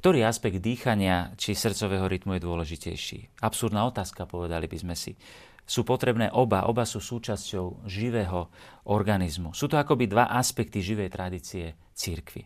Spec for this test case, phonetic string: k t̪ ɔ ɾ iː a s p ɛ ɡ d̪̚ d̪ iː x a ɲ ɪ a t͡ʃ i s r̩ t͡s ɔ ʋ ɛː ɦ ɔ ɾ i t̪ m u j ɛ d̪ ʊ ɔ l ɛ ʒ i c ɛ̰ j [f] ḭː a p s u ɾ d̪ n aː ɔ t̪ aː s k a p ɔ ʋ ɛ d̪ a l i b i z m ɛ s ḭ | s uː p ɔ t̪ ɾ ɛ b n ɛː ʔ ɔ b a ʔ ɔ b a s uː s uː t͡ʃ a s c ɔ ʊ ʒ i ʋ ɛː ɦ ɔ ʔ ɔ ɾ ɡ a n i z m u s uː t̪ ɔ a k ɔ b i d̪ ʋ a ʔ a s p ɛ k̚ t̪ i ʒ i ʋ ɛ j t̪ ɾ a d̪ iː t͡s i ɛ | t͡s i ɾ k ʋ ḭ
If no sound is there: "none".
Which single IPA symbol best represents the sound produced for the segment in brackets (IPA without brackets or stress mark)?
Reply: ʃ